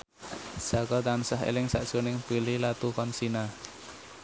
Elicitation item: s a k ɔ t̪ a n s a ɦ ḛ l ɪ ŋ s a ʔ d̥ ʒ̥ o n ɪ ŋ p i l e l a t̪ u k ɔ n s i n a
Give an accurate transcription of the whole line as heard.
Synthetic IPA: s a k ɔ t̪ a n s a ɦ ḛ l ɪ ŋ s a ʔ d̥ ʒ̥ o n ɪ ŋ p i l i l a t̪ u k ɔ n s i n a